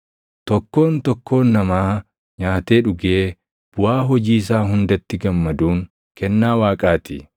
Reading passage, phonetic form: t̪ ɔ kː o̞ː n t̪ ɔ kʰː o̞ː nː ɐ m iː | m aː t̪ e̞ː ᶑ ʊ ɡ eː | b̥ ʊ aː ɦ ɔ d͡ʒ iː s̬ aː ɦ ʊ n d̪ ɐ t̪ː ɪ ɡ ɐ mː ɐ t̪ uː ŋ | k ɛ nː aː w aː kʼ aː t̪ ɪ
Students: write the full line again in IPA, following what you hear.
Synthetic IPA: t̪ ɔ kː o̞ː n t̪ ɔ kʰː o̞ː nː ɐ m aː | ɲ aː t̪ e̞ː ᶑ ʊ ɡ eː | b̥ ʊ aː ɦ ɔ d͡ʒ iː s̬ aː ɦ ʊ n d̪ ɐ t̪ː ɪ ɡ ɐ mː ɐ d̪ uː ŋ | k ɛ nː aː w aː kʼ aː t̪ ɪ

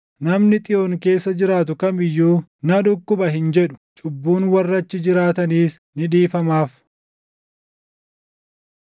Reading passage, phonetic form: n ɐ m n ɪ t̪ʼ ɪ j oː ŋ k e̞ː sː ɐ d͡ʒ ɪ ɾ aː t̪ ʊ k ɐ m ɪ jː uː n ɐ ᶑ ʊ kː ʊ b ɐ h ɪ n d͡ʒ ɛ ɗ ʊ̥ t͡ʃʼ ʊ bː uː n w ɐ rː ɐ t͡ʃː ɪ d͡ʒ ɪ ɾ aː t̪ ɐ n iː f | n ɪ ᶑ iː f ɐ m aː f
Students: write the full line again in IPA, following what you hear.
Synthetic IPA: n ɐ m n ɪ t̪ʼ ɪ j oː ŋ k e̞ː sː ɐ d͡ʒ ɪ ɾ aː t̪ ʊ k ɐ m ɪ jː uː n ɐ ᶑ ʊ kː ʊ b ɐ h ɪ n d͡ʒ ɛ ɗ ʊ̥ t͡ʃʼ ʊ bː uː n w ɐ rː ɐ t͡ʃː ɪ d͡ʒ ɪ ɾ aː t̪ ɐ n iː s | n ɪ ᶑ iː f ɐ m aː f

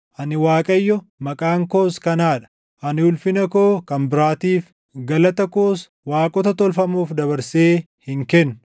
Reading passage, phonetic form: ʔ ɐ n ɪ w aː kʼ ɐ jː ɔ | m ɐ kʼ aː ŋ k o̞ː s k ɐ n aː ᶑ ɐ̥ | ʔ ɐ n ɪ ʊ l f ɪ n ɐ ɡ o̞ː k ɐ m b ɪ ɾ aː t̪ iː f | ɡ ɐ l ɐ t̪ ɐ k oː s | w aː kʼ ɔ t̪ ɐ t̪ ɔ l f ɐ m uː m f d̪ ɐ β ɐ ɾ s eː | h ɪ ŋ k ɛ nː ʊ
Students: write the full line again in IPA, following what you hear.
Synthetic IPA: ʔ ɐ n ɪ w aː kʼ ɐ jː ɔ | m ɐ kʼ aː ŋ k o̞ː s k ɐ n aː ᶑ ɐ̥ | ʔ ɐ n ɪ ʊ l f ɪ n ɐ k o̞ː k ɐ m b ɪ ɾ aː t̪ iː f | ɡ ɐ l ɐ t̪ ɐ k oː s | w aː kʼ ɔ t̪ ɐ t̪ ɔ l f ɐ m uː f d̪ ɐ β ɐ ɾ s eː | h ɪ ŋ k ɛ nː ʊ

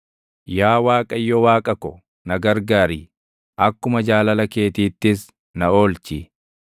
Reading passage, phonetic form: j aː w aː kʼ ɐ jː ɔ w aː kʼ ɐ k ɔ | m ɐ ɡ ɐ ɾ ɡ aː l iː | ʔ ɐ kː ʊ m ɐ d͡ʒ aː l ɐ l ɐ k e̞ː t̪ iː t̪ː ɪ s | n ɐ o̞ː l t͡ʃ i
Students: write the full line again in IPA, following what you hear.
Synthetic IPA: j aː w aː kʼ ɐ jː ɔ w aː kʼ ɐ k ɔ | n ɐ ɡ ɐ ɾ ɡ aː ɾ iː | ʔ ɐ kː ʊ m ɐ d͡ʒ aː l ɐ l ɐ k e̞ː t̪ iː t̪ː ɪ s | n ɐ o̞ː l t͡ʃ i

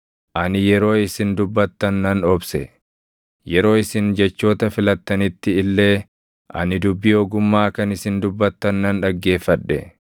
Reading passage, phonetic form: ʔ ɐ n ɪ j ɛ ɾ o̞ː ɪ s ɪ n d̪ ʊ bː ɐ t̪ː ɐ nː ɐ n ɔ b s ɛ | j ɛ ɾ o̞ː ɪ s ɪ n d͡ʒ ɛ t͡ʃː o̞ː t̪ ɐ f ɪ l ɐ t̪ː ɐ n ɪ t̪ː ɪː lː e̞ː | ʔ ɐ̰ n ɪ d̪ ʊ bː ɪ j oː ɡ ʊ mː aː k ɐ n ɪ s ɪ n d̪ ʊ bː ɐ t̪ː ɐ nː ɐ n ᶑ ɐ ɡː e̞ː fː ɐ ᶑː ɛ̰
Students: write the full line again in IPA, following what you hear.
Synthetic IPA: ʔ ɐ n ɪ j ɛ ɾ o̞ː ɪ s ɪ n d̪ ʊ bː ɐ t̪ː ɐ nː ɐ n ɔ b s ɛ | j ɛ ɾ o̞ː ɪ s ɪ n d͡ʒ ɛ t͡ʃː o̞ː t̪ ɐ f ɪ l ɐ t̪ː ɐ n ɪ t̪ː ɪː lː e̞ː | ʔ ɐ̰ n ɪ d̪ ʊ bː ɪ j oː ɡ ʊ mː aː k ɐ n ɪ s ɪ n d̪ ʊ bː ɐ t̪ː ɐ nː ɐ n ᶑ ɐ ɡː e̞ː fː ɐ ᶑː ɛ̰

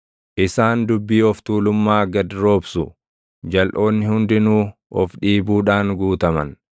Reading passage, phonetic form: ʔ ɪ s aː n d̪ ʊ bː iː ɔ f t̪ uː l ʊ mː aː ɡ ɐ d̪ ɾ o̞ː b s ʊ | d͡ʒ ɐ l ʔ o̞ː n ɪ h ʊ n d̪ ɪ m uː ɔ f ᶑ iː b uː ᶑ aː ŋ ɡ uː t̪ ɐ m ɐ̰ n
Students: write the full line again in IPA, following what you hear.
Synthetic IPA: ʔ ɪ s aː n d̪ ʊ bː iː ɔ f t̪ uː l ʊ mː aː ɡ ɐ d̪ ɾ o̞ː b s ʊ | d͡ʒ ɐ l ʔ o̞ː nː ɪ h ʊ n d̪ ɪ n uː ɔ f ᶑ iː b uː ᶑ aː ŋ ɡ uː t̪ ɐ m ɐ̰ n

